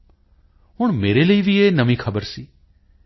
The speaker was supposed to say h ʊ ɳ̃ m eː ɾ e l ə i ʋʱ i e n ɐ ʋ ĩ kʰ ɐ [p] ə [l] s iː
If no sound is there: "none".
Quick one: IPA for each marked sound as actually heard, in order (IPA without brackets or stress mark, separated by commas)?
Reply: b, ɾ